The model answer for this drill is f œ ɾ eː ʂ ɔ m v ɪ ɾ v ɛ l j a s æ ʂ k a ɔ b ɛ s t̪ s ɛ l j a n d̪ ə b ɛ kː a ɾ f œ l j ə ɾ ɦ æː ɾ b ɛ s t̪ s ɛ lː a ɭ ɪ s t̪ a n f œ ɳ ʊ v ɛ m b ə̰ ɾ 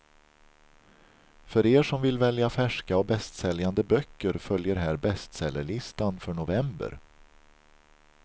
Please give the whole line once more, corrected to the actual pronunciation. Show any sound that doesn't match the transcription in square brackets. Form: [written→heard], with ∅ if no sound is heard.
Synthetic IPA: f œ ɾ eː ʂ ɔ m v ɪ [ɾ→l] v ɛ l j a [s→f] æ ʂ k a ɔ b ɛ s t̪ s ɛ l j a n d̪ ə b [ɛ→œ] kː [a→ə] ɾ f œ l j ə ɾ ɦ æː ɾ b ɛ s t̪ s ɛ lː [a→ə] ɭ ɪ s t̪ a n f œ ɳ ʊ v ɛ m b ə̰ ɾ